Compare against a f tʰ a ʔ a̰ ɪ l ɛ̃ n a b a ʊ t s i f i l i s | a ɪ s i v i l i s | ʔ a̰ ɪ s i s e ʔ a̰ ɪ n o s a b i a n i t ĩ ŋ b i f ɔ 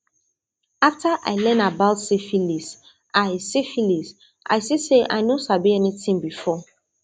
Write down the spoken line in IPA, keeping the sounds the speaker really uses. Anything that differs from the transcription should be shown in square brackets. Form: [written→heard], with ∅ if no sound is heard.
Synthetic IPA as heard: a f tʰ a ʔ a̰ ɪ l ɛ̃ n a b a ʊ t s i f i l i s | a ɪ s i [v→f] i l i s | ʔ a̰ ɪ s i s e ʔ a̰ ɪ n o s a b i [a→ɛ] n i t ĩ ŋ b i f ɔ

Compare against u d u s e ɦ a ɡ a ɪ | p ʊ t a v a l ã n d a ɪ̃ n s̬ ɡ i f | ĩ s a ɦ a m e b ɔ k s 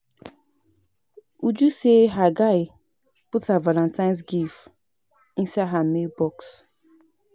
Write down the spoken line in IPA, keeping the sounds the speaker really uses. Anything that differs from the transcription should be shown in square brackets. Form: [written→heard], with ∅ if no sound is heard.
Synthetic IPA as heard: u [d→d͡ʒ] u s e ɦ a ɡ a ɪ | p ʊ t a v a l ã n [d→t] a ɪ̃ n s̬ ɡ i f | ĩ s a ɦ a m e b ɔ k s

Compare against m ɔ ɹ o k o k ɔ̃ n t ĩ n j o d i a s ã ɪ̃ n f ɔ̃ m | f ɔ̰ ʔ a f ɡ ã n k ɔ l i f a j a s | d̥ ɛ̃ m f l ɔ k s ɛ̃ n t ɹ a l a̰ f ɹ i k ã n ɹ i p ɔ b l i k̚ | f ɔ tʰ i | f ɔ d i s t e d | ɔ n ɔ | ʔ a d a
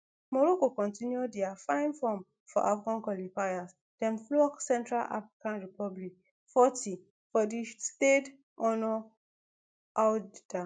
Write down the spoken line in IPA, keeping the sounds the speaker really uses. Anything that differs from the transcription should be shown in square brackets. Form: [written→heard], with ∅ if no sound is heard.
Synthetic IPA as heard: m ɔ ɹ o k o k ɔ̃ n t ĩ n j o d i a [s→f] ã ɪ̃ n f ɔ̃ m | f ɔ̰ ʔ a f ɡ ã n k ɔ l i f a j a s | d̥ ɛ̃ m f l ɔ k s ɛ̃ n t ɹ a l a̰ f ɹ i k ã n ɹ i p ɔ b l i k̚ | f ɔ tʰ i | f ɔ d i s t e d | ɔ n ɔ | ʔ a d a

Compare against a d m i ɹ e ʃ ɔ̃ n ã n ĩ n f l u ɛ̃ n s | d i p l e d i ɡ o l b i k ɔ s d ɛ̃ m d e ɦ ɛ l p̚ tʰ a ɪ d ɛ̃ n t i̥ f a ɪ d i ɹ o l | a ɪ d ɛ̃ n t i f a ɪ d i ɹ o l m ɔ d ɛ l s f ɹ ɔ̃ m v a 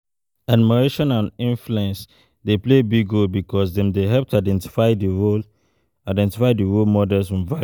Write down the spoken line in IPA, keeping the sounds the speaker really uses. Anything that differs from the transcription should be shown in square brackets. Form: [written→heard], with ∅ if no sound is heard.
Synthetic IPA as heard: a d m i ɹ e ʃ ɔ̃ n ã n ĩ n f l u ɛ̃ n s | d [i→e] p l e [d→b] i ɡ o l b i k ɔ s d ɛ̃ m d e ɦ ɛ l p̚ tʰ a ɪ d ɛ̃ n t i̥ f a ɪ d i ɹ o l | a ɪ d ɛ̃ n t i f a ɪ d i ɹ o l m ɔ d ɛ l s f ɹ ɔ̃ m v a

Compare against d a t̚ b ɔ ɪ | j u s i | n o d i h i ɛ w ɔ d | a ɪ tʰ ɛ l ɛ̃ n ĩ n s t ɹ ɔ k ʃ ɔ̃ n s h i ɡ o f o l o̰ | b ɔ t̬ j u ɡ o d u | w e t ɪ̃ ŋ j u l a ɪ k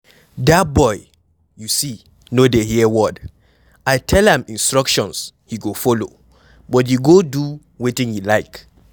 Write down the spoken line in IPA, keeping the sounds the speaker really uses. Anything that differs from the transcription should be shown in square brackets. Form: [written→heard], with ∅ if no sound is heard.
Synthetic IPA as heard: d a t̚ b ɔ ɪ | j u s i | n o d [i→e] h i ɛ w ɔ d | a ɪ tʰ ɛ l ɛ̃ [n→m] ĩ n s t ɹ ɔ k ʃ ɔ̃ n s h i ɡ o f o l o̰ | b ɔ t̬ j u ɡ o d u | w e t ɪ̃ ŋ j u l a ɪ k

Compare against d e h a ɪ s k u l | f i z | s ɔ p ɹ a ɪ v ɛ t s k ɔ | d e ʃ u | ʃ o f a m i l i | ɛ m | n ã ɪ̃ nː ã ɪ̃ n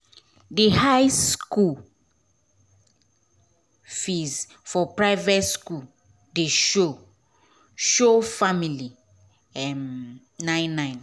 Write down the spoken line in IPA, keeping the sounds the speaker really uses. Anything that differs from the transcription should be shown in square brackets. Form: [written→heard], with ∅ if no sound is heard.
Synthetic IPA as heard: d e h a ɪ s k u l | f i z | [s→f] ɔ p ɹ a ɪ v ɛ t s k [ɔ→u] | d e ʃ [u→o] | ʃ o f a m i l i | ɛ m | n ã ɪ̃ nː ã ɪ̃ n

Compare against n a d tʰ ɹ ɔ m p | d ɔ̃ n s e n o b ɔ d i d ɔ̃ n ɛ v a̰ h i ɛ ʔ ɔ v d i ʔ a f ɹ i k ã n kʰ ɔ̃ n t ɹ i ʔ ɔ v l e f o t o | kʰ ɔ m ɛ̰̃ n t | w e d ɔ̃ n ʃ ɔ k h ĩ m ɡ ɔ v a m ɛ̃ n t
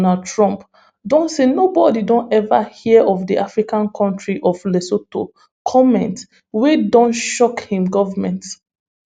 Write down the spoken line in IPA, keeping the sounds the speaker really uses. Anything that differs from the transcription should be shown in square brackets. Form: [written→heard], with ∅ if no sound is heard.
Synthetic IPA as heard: n a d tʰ ɹ [ɔ→ɔ̃] m p | d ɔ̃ n s e n o b ɔ d i d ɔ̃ n ɛ v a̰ h i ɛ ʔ ɔ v d i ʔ a f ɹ i k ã n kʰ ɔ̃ n t ɹ i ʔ ɔ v l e [f→s] o t o | kʰ ɔ m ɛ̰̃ n t | w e d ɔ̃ n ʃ ɔ k h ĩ m ɡ ɔ v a m ɛ̃ n t

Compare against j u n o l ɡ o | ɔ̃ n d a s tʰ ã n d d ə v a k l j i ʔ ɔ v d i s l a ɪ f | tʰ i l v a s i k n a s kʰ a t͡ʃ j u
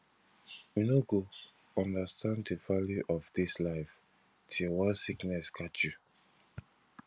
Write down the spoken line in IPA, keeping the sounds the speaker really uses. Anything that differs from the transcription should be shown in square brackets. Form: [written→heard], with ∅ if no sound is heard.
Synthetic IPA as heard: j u n o [l→∅] ɡ o | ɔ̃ n d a s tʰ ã n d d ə v a [k→∅] l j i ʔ ɔ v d i s l a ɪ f | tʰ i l [v→w] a s i k n [a→ɛ] s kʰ a t͡ʃ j u

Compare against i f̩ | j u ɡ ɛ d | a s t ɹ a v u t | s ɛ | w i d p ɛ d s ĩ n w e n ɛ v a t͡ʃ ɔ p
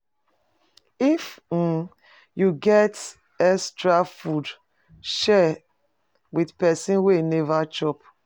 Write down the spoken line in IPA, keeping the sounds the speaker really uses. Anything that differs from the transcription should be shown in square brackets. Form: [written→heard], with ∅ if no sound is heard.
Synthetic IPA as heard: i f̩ | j u ɡ ɛ [d→t] | [a→ɛ] s t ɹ a [v→f] u [t→d] | [s→ʃ] ɛ | w i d p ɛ [d→∅] s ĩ n w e n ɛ v a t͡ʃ ɔ p

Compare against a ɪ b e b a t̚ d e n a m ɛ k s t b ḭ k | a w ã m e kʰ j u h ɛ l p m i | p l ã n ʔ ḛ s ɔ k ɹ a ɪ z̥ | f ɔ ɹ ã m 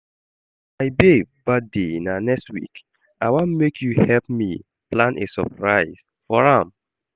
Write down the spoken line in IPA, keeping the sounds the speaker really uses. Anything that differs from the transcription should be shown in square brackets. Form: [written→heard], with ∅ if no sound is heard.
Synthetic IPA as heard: a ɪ b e b a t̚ d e n a [m→n] ɛ k s t [b→w] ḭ k | a w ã m e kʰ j u h ɛ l p m i | p l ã n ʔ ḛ s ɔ [k→p] ɹ a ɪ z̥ | f ɔ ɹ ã m

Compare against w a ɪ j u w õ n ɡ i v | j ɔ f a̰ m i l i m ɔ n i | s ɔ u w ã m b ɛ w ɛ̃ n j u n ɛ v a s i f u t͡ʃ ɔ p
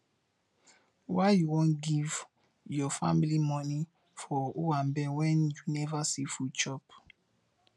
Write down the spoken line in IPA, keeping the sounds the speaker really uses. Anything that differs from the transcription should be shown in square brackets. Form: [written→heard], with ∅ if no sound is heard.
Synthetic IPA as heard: w a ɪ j u w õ n ɡ i v | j ɔ f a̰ m i l i m ɔ n i | [s→f] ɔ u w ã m b ɛ w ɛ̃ n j u n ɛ v a s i f u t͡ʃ ɔ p

